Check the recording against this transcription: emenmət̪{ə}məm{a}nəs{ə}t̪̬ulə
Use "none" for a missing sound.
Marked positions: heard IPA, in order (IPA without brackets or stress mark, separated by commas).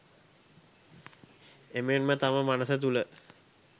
a, a, ə